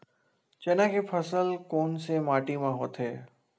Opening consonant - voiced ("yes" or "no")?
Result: no